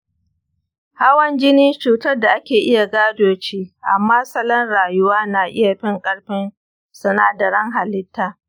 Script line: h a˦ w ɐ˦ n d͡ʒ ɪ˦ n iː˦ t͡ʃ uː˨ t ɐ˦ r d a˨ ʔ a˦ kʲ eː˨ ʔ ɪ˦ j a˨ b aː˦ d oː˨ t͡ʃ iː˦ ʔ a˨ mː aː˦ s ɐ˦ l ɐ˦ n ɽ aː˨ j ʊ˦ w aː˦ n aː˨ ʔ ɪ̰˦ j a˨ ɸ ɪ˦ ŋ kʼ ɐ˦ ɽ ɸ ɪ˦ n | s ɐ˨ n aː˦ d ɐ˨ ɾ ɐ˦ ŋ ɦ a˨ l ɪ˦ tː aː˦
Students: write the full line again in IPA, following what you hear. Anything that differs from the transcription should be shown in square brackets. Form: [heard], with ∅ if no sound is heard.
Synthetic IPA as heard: h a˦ w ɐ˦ n d͡ʒ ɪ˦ n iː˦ t͡ʃ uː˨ t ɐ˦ r d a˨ ʔ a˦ kʲ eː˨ ʔ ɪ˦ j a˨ [ɡ] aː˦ d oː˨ t͡ʃ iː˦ ʔ a˨ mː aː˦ s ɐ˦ l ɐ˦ n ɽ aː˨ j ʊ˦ w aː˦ n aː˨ ʔ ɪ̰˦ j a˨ ɸ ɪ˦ ŋ kʼ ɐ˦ ɽ ɸ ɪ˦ n | s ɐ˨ n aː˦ d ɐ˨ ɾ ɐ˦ ŋ ɦ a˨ l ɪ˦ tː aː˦